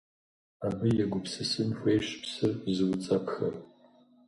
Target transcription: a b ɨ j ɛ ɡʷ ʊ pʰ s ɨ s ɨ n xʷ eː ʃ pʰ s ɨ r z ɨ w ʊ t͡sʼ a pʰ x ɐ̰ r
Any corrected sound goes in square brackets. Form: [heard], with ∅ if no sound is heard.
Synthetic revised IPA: a b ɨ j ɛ ɡʷ ʊ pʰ s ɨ s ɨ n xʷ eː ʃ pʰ s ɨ r z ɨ w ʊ t͡sʼ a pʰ x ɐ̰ r